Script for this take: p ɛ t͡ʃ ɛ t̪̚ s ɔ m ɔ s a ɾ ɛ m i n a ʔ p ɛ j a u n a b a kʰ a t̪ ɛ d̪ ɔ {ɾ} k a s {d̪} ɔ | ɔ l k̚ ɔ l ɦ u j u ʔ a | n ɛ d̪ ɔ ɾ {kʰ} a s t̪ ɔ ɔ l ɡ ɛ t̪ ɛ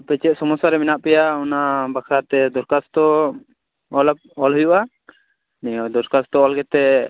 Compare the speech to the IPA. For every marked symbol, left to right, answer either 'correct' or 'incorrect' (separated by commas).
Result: correct, incorrect, incorrect